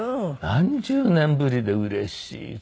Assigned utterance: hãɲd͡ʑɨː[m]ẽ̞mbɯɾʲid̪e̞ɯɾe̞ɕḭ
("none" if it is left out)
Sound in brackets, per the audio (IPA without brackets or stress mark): n